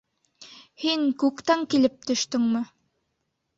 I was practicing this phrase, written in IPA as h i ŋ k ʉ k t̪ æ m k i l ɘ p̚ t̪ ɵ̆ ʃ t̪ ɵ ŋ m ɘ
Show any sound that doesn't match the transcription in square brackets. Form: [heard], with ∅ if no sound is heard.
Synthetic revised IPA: h i ŋ k ʉ k t̪ æ [ŋ] k i l ɘ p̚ t̪ ɵ̆ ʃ t̪ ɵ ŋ m ɘ